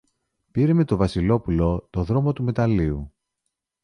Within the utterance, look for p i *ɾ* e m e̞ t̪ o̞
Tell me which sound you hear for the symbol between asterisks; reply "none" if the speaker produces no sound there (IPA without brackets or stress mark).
ɾ